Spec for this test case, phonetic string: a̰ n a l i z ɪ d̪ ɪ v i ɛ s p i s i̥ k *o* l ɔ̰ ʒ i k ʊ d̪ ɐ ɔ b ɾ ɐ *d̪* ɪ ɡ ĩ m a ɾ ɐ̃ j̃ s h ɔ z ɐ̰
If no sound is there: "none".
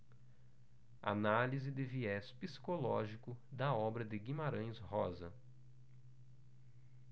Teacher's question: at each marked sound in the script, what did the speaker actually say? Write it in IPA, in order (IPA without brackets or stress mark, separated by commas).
o, d̪